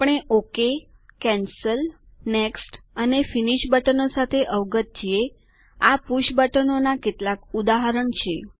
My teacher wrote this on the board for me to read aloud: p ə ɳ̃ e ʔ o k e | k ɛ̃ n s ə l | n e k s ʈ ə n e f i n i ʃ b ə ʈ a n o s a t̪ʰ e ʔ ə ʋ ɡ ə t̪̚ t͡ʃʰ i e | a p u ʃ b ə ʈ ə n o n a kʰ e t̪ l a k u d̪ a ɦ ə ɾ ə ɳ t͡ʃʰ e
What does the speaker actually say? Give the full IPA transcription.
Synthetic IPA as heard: p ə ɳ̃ e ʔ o k e | k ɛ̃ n s ə l | n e k s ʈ ə n e f i n i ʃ b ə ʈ ə n o s a t̪ʰ e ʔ ə ʋ ɡ ə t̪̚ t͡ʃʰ i e | a p u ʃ b ə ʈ ə n o n a k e t̪ l a k u d̪ a ɦ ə ɾ ə ɳ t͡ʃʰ e